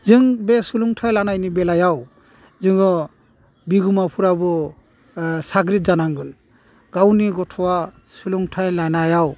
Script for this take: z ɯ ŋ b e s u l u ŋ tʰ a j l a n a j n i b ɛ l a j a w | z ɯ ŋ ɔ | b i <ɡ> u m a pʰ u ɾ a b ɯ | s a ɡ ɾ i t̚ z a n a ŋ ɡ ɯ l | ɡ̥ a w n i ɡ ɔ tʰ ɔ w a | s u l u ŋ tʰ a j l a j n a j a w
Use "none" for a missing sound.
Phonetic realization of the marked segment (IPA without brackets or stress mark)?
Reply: ɡ